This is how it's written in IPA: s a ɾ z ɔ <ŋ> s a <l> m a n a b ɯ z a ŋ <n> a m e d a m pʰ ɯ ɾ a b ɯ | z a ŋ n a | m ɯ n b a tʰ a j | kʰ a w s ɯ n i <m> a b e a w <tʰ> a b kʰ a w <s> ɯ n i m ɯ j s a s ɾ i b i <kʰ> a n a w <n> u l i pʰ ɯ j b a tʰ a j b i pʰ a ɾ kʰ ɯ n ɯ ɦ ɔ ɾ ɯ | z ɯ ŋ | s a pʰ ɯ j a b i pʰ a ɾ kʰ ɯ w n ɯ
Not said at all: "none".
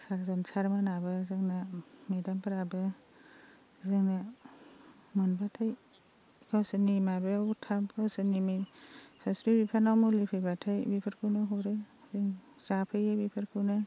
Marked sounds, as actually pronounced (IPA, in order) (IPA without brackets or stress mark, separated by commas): n, ɾ, n, m, tʰ, s, pʰ, m